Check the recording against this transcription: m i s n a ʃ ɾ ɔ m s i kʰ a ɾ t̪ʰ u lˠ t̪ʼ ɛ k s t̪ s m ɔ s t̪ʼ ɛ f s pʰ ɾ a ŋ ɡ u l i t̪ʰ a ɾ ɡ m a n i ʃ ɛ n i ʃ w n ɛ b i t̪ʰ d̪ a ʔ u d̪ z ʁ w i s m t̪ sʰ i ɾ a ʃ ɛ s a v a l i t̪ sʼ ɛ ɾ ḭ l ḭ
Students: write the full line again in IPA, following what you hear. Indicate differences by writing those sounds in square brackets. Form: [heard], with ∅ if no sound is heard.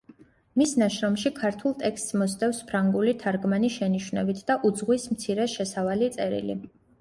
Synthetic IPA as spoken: m i s n a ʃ ɾ ɔ m [ʃ] i kʰ a ɾ t̪ʰ u lˠ t̪ʼ ɛ k s t̪ s m ɔ s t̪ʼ ɛ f s pʰ ɾ a ŋ ɡ u l i t̪ʰ a ɾ ɡ m a n i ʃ ɛ n i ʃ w n ɛ b i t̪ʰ d̪ a ʔ u d̪ z ʁ w i s m t̪ sʰ i ɾ [ɛ] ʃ ɛ s a v a l i t̪ sʼ ɛ ɾ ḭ l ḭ